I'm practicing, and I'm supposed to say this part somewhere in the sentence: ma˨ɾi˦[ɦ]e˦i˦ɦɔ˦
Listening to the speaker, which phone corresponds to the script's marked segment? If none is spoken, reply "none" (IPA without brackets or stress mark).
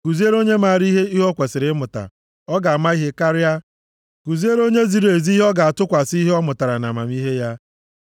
ɦ